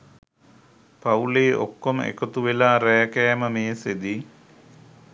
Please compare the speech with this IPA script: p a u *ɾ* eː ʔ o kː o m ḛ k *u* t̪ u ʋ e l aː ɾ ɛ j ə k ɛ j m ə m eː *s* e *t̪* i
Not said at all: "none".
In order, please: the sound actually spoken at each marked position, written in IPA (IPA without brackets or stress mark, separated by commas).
l, o, s, d̪